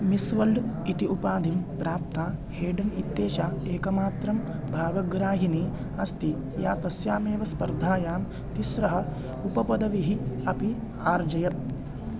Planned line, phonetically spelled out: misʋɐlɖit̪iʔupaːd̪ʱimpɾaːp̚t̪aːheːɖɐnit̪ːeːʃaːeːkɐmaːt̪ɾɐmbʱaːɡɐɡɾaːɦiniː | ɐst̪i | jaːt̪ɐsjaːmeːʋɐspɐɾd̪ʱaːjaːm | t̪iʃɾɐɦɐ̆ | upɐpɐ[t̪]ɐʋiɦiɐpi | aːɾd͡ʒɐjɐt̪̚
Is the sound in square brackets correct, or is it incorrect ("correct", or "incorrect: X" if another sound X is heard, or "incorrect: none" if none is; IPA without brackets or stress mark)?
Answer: incorrect: d̪